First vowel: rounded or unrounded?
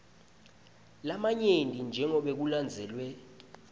unrounded